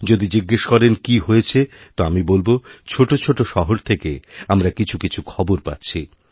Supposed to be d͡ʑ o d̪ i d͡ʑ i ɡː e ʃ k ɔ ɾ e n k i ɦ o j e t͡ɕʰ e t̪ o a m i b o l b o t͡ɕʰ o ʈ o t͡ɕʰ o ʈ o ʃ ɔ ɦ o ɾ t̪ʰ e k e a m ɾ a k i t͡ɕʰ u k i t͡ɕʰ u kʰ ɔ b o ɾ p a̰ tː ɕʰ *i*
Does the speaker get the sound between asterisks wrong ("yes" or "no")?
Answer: no